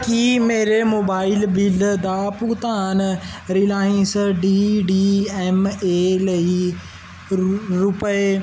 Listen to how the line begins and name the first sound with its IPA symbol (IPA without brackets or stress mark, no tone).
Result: k